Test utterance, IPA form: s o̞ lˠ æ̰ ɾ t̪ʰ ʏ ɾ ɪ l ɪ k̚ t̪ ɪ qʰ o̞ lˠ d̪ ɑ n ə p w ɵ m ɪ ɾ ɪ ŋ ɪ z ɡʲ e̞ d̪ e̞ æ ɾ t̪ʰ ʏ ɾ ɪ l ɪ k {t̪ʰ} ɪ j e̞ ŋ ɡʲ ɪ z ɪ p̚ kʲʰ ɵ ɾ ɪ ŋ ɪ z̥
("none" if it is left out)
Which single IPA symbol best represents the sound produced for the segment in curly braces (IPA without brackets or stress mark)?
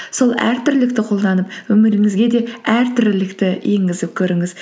t̪